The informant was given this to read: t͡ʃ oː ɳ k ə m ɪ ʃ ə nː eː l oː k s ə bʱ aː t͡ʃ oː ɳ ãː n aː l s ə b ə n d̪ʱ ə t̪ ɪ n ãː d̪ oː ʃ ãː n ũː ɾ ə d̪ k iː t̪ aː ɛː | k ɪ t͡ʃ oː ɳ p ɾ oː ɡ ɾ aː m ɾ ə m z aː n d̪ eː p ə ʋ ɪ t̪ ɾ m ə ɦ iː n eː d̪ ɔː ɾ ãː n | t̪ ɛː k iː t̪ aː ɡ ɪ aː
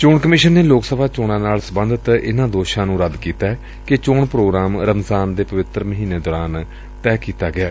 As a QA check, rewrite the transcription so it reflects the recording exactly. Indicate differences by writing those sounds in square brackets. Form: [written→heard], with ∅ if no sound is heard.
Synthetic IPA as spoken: t͡ʃ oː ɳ k ə m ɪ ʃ ə nː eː l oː k s ə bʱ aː t͡ʃ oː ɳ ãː n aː l s ə b ə n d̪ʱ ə t̪ ɪ n ãː d̪ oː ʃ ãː n ũː ɾ ə d̪ k iː t̪ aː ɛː | k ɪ t͡ʃ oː ɳ p ɾ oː ɡ ɾ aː m ɾ ə m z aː n d̪ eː p ə ʋ ɪ t̪ ɾ m ə ɦ iː n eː d̪ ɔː ɾ [ãː→aː] n | t̪ ɛː k iː t̪ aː ɡ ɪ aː